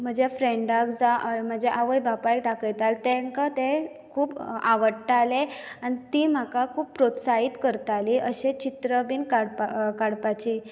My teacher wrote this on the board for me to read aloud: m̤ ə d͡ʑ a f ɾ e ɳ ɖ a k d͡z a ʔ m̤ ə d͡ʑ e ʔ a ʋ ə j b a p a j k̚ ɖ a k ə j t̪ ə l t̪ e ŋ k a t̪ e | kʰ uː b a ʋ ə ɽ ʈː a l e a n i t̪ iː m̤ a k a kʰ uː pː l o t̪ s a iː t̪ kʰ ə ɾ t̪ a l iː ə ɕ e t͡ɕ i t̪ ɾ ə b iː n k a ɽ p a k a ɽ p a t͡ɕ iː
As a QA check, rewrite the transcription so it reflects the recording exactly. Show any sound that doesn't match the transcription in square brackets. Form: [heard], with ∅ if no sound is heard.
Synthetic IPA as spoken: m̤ ə d͡ʑ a f ɾ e ɳ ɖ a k d͡z a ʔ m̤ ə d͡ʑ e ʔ a ʋ ə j b a p a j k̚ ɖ a k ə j t̪ [a] l t̪ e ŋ k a t̪ e | kʰ uː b a ʋ ə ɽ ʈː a l e a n i t̪ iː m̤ a k a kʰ uː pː [ɾ] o t̪ s a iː t̪ [k] ə ɾ t̪ a l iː ə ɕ e t͡ɕ i t̪ ɾ ə b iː n k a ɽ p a k a ɽ p a t͡ɕ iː